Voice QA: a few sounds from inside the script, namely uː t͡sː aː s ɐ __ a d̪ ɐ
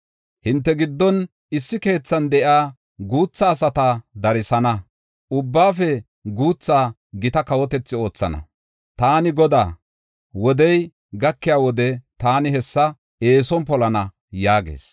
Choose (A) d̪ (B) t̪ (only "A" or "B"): B